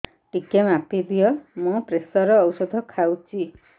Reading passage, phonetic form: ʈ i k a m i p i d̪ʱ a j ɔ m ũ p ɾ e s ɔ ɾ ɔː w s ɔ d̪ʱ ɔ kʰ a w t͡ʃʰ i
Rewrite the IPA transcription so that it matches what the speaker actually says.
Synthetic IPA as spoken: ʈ i k e m a p i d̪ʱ i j ɔ m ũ p ɾ e s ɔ ɾ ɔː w s ɔ d̪ʱ ɔ kʰ a w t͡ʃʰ i